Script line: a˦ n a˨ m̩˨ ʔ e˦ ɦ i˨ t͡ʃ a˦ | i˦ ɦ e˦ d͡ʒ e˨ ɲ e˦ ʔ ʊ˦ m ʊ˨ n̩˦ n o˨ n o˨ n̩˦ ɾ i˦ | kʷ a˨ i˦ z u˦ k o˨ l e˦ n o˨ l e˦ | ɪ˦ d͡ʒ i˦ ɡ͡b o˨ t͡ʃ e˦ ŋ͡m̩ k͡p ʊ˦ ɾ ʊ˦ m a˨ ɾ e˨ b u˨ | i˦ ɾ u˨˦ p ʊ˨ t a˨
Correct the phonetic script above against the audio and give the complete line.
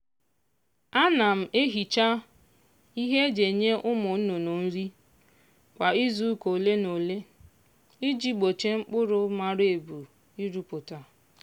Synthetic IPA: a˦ n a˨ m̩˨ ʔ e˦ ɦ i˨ t͡ʃ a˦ | i˦ ɦ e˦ d͡ʒ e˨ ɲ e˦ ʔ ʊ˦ m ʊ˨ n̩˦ n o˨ n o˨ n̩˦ ɾ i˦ | kʷ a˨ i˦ z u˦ k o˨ l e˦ n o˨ l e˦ | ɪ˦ d͡ʒ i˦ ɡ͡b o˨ t͡ʃ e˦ ŋ͡m̩ k͡p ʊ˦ ɾ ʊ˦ m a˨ ɾ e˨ b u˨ | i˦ ɾ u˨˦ p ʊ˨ t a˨

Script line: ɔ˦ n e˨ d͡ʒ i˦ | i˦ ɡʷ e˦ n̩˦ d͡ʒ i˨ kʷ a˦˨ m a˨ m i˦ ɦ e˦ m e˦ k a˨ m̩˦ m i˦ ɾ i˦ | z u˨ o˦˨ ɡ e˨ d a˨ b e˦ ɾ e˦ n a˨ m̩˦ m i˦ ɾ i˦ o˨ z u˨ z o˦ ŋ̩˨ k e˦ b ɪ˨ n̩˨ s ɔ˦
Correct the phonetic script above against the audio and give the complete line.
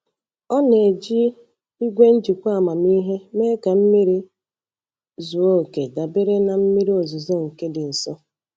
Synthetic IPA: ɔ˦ n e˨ d͡ʒ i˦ | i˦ ɡʷ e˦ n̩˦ d͡ʒ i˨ kʷ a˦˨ m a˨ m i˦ ɦ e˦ m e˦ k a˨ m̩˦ m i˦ ɾ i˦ | z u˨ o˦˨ k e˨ d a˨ b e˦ ɾ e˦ n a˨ m̩˦ m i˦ ɾ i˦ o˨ z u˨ z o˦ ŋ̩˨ k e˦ d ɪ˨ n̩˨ s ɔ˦

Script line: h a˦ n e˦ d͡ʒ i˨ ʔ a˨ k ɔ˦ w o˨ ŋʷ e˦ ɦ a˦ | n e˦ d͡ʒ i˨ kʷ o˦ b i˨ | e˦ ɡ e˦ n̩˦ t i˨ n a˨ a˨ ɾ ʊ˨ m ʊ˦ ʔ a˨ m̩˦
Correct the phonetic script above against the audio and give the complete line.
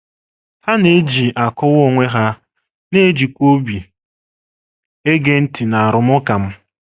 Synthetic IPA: h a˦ n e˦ d͡ʒ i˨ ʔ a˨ k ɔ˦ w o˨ ŋʷ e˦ ɦ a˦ | n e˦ d͡ʒ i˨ kʷ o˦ b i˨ | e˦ ɡ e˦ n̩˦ t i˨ n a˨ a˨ ɾ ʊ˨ m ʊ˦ k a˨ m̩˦

